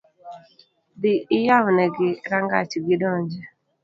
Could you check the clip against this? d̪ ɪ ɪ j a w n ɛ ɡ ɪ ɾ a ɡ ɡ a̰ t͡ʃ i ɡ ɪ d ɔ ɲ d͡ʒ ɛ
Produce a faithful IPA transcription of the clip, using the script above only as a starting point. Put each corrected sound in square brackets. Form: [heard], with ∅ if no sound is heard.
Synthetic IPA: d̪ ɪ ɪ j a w n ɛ ɡ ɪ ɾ a [ŋ] ɡ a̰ t͡ʃ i ɡ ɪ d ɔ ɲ d͡ʒ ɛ